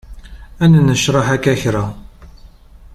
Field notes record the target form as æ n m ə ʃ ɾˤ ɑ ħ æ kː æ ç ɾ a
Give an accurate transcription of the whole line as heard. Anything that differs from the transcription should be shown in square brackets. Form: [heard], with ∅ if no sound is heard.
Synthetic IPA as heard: æ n [n] ə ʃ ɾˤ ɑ ħ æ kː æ ç ɾ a